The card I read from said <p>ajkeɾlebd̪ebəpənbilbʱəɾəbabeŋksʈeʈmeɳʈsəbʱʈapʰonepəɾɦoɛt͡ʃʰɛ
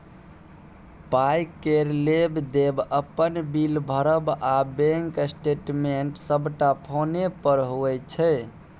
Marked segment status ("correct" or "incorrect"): correct